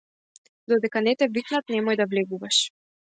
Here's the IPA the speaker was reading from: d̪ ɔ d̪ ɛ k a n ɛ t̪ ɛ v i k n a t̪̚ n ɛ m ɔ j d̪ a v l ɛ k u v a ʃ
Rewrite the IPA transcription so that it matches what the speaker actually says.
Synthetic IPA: d̪ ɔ d̪ ɛ k a n ɛ t̪ ɛ v i k n a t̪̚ n ɛ m ɔ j d̪ a v l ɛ ɡ u v a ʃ